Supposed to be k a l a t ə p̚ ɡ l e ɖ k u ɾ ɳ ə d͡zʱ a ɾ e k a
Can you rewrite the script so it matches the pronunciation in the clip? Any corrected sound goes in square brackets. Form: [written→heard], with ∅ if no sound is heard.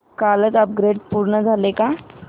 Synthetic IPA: k a l [a→ə] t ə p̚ ɡ [l→ɾ] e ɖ [k→p] u ɾ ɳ ə d͡zʱ a [ɾ→l] e k a